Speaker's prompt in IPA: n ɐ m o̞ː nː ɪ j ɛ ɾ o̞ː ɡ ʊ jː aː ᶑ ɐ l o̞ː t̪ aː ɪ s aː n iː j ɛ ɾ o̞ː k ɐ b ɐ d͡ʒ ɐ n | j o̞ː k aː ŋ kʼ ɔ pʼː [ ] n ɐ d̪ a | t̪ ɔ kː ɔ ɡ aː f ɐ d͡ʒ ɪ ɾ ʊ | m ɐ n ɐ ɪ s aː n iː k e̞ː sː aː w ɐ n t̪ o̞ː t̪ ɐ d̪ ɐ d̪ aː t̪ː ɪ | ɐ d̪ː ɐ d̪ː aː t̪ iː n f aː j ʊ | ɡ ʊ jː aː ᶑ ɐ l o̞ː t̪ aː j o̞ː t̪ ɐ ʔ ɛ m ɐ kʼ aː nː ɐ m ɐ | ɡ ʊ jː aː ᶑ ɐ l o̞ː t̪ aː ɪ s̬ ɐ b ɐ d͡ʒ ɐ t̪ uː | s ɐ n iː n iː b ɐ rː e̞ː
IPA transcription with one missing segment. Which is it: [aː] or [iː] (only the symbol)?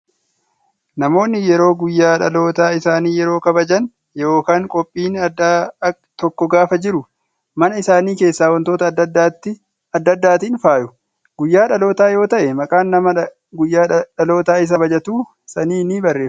iː